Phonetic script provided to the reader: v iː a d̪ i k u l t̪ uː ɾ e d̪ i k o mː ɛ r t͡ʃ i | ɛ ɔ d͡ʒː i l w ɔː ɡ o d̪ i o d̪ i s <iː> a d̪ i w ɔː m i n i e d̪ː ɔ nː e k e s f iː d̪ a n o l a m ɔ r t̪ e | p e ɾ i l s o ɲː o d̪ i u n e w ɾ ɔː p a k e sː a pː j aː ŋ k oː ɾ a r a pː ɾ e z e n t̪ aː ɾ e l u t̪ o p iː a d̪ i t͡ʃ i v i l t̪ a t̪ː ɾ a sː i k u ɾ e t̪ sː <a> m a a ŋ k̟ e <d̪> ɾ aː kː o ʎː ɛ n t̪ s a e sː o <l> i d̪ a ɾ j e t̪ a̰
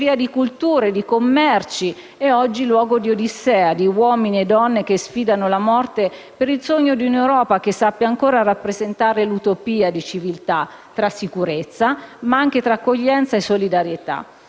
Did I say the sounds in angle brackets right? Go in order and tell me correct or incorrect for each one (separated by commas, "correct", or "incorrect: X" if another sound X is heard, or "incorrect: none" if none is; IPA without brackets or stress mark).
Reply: incorrect: ɛː, correct, incorrect: t̪, correct